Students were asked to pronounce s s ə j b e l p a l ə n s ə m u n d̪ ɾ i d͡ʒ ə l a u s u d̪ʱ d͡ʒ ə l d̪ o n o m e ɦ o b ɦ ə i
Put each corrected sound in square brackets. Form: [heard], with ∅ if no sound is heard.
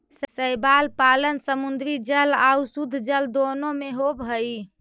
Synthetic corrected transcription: s s ə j b [a] l p a l ə n s ə m u n d̪ ɾ i d͡ʒ ə l a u s u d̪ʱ d͡ʒ ə l d̪ o n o m e ɦ o b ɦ ə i